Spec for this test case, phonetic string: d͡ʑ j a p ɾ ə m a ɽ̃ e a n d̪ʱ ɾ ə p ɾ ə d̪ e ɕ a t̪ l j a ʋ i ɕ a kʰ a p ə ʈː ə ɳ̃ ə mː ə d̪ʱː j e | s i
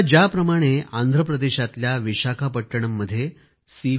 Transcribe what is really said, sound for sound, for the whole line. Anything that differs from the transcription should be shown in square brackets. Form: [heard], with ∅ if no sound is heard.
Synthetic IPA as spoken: d͡ʑ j a p ɾ ə m a ɽ̃ e a n d̪ʱ ɾ ə p ɾ ə d̪ e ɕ a t̪ l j a ʋ i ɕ a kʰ a p ə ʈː ə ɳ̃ ə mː ə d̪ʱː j e | s i